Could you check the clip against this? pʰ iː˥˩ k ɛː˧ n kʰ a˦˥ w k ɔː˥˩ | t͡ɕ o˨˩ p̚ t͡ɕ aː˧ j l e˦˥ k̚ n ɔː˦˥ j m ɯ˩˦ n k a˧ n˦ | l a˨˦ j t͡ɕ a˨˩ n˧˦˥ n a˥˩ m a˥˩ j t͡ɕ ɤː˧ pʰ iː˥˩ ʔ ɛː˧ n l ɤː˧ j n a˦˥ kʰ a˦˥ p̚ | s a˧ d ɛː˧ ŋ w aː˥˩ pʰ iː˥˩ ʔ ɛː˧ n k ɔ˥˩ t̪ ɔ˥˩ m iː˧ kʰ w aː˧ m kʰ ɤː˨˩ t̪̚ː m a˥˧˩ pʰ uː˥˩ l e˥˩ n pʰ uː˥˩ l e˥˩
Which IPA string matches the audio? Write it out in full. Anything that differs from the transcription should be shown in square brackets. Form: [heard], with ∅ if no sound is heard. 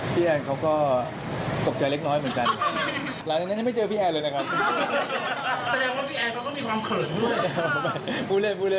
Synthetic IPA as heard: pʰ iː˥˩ [ʔ] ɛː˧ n kʰ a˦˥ w k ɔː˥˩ | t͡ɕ o˨˩ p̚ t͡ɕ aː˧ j l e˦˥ k̚ n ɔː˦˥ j m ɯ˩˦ n k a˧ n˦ | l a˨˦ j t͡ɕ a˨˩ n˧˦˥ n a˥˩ m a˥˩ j t͡ɕ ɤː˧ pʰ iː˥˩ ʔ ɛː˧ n l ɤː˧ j n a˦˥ kʰ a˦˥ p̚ | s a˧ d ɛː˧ ŋ w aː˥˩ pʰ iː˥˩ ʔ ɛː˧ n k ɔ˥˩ t̪ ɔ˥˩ m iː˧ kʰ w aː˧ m kʰ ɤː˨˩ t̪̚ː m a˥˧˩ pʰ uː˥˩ l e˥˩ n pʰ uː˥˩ l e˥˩